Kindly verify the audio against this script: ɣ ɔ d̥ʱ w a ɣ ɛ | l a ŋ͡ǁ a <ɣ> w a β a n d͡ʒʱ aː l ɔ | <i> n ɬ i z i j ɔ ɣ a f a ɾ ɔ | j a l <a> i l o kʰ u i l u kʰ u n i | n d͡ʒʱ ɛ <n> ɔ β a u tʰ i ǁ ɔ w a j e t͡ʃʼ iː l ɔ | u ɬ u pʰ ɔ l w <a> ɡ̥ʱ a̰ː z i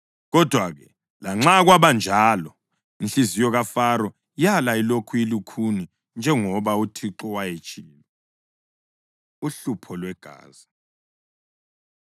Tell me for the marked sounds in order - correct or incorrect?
correct, correct, correct, incorrect, incorrect

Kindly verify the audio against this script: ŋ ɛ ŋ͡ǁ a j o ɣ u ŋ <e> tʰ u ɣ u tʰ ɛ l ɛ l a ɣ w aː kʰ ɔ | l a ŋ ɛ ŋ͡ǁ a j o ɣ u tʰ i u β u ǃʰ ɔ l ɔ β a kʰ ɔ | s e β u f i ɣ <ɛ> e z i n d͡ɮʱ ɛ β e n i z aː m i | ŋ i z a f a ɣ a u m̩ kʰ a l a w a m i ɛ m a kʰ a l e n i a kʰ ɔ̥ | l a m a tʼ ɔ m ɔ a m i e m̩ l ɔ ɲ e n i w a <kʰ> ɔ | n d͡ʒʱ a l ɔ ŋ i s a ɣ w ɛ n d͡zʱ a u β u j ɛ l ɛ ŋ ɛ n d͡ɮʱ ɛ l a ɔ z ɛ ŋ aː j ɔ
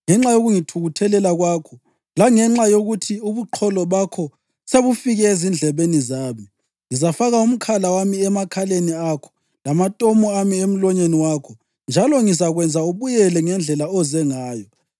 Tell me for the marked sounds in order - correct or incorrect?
incorrect, correct, correct

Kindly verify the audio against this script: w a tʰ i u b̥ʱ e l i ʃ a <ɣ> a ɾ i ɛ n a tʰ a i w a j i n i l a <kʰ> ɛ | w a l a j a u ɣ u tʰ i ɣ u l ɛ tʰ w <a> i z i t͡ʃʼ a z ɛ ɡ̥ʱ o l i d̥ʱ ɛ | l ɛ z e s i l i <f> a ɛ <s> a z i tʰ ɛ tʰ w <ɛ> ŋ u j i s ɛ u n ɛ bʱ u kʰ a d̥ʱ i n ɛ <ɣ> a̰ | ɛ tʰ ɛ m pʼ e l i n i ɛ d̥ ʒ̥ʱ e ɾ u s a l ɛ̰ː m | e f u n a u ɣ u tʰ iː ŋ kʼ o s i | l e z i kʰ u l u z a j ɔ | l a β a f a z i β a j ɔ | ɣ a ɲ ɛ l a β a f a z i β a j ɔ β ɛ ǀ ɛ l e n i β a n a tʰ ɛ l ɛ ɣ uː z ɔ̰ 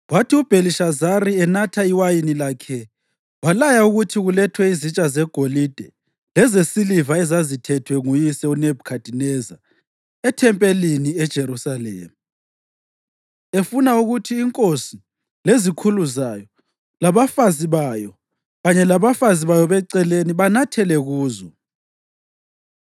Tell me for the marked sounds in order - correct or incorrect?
incorrect, correct, incorrect, incorrect, incorrect, correct, incorrect

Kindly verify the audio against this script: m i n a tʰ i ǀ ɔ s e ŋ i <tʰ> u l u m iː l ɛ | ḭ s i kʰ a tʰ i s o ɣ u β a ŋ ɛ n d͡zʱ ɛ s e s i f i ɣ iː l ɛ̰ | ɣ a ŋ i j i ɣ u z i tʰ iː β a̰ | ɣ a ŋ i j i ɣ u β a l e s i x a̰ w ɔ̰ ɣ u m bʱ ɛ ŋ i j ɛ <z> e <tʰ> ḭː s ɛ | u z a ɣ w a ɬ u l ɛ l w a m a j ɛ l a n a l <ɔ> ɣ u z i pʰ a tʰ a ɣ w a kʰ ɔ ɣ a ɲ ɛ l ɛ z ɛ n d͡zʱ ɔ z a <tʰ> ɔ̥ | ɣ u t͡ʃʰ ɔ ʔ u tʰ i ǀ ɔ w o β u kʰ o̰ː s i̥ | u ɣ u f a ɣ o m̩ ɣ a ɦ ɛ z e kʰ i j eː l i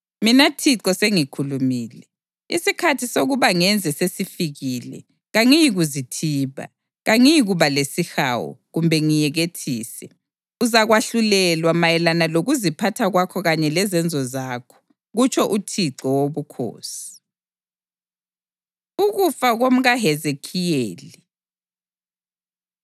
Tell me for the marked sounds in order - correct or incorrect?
incorrect, incorrect, correct, incorrect, incorrect

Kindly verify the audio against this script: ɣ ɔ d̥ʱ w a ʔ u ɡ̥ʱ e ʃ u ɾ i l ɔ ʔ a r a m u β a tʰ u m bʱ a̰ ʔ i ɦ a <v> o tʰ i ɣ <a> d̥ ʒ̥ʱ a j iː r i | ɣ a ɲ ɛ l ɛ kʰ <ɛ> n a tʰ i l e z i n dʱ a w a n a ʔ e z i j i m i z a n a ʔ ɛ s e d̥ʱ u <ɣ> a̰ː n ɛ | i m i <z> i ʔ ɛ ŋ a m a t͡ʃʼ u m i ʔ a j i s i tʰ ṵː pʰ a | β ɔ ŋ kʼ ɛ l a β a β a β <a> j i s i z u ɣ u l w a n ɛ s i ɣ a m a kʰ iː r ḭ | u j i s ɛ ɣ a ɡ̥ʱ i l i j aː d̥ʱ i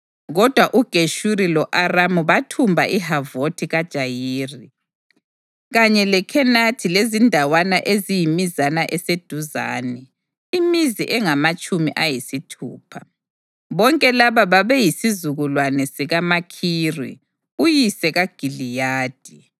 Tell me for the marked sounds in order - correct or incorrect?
correct, correct, correct, incorrect, correct, incorrect

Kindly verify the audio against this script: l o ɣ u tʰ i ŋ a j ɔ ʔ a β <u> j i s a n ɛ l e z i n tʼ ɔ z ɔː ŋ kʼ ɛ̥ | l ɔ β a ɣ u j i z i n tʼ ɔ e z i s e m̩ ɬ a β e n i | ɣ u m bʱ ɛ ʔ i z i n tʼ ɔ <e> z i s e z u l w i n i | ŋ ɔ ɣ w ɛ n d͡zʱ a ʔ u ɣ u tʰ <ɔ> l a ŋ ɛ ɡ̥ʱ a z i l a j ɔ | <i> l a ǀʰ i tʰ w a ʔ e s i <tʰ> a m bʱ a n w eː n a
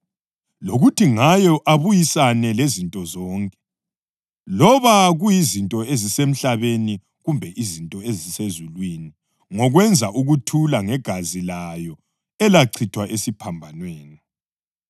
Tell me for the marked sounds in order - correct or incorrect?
correct, correct, incorrect, incorrect, incorrect

